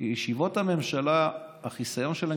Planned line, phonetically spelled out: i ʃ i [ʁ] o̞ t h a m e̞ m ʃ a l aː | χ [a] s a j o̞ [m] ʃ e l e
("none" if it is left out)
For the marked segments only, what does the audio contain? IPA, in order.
v, i, n

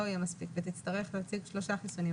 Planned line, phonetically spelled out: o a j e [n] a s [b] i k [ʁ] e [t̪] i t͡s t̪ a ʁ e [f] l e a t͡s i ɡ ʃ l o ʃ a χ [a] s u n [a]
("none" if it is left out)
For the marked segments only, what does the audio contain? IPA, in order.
m, p, v, t̪, χ, i, i

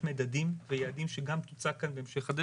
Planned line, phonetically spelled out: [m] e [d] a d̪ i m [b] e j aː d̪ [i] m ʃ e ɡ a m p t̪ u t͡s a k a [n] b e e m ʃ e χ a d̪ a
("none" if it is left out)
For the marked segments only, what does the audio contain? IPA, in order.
m, d, v, i, n

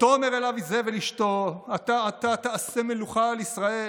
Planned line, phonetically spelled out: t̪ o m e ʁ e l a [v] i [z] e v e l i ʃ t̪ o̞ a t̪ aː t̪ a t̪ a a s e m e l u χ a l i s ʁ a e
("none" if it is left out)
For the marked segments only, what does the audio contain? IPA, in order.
v, z

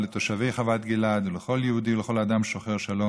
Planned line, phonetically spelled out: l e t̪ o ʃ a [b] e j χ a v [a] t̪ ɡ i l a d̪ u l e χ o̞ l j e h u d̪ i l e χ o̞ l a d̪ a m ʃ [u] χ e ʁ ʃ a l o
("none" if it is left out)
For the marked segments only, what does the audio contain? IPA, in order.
v, a, o

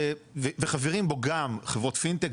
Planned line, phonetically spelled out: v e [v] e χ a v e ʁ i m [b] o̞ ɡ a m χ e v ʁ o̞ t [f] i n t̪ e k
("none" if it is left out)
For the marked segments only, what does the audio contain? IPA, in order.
v, b, f

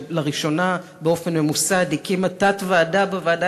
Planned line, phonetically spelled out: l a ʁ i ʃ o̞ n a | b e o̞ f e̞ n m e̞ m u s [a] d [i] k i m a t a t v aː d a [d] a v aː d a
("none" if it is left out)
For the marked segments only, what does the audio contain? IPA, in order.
a, i, b

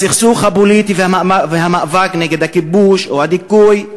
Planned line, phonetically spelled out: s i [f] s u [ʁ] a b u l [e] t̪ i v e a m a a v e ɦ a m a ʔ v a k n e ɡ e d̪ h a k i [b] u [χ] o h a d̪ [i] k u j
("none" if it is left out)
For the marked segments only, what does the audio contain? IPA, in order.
χ, χ, i, b, ʃ, i

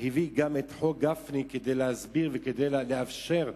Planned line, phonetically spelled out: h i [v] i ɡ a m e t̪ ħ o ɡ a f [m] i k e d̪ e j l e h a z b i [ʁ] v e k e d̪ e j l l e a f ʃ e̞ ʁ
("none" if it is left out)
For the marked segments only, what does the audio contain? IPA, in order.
v, n, ʁ

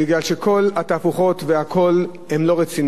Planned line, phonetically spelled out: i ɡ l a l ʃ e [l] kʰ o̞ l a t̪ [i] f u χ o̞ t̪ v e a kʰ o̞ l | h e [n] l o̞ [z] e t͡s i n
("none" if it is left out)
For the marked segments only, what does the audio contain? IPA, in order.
none, a, m, ʁ

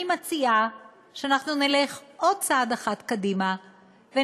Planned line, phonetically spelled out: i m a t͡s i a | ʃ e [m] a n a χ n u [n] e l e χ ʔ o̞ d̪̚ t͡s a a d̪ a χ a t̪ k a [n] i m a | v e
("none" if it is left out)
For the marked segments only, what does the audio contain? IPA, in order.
none, n, d

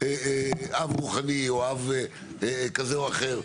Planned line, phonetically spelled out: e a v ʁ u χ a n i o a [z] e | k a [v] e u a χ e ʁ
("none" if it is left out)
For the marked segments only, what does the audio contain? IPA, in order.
v, z

